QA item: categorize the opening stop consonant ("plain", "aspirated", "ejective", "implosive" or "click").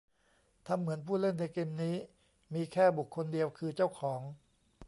aspirated